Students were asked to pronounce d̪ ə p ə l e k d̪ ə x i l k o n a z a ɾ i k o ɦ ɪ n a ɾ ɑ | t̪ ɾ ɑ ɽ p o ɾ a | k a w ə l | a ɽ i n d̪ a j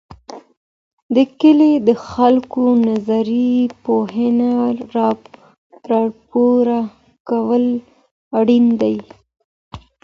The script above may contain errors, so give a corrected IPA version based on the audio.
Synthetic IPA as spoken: d̪ ə k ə l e d̪ ə x a l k o n a z a ɾ i p o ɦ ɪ n a ɾ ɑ | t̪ ɾ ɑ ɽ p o ɾ a | k a w ə l | a ɽ i n d̪ a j